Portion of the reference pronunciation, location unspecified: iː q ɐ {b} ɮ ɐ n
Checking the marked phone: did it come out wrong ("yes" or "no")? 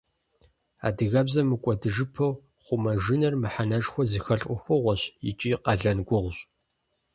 yes